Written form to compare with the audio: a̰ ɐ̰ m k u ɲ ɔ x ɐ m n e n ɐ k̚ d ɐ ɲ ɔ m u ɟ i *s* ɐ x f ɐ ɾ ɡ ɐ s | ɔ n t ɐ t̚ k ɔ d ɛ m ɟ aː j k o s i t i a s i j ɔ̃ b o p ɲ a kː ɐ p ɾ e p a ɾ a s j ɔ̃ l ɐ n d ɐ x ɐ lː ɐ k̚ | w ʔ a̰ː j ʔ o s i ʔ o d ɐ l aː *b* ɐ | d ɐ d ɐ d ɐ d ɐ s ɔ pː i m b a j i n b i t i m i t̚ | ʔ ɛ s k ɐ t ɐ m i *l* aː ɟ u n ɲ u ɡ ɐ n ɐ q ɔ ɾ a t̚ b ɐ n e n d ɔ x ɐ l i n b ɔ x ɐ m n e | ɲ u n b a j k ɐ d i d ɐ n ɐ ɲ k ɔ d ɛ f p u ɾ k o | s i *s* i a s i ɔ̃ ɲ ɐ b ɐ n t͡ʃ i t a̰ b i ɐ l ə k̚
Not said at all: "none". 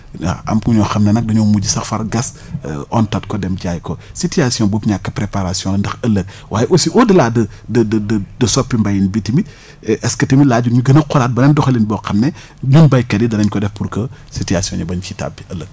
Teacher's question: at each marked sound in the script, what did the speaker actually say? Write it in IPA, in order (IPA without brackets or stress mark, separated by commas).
s, d, l, t